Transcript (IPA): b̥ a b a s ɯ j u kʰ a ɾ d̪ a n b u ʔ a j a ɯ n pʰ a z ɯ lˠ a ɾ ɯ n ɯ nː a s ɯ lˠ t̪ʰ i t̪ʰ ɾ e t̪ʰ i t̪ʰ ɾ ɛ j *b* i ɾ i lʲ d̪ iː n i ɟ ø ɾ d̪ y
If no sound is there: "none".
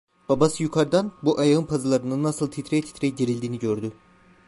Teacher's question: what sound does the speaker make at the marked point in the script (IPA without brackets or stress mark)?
ɟ